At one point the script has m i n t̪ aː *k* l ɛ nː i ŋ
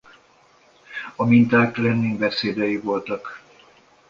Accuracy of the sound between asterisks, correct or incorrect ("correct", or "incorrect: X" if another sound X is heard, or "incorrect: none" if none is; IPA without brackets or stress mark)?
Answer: correct